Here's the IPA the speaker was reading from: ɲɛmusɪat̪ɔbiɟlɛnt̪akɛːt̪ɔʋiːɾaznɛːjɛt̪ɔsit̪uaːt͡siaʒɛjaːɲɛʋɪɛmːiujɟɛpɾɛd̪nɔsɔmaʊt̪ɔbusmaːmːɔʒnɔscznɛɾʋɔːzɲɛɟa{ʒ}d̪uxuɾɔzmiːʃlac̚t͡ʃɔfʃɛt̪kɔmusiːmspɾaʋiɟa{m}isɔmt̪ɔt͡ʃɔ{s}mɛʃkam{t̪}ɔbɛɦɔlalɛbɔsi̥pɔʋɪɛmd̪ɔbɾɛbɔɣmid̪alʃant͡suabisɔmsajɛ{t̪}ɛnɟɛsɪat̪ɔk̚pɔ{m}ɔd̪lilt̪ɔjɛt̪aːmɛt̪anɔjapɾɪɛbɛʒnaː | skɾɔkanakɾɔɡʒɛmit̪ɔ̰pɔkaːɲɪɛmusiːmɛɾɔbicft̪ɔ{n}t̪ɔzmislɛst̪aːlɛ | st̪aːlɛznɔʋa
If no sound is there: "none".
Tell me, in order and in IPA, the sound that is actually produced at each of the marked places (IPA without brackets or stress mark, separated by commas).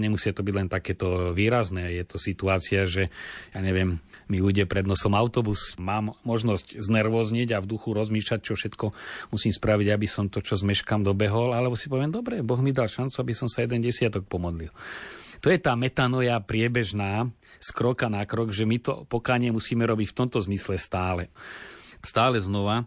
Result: v, b, z, d̪, d̪, m, m